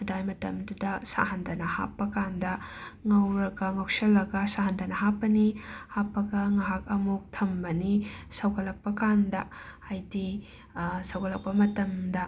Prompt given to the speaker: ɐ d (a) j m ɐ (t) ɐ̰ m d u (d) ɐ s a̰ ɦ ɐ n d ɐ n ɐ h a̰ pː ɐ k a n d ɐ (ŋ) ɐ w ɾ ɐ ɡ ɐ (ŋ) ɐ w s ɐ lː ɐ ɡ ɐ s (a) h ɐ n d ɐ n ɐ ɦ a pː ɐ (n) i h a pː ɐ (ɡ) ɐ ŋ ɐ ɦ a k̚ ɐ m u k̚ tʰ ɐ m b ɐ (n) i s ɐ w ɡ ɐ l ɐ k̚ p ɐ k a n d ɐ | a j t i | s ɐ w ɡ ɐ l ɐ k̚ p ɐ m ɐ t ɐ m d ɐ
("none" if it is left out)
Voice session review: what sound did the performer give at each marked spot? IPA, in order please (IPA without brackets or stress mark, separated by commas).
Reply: a, t, d, ŋ, ŋ, a, n, ɡ, n